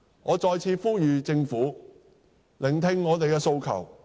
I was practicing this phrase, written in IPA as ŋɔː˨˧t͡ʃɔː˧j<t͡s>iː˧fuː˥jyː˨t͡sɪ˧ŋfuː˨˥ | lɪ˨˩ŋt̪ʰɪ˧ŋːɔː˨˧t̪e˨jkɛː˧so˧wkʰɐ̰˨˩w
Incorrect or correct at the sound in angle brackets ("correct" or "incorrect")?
incorrect